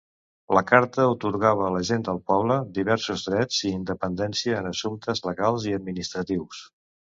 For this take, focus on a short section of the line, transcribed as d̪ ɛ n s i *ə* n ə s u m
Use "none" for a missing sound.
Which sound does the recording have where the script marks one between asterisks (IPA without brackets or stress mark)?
əː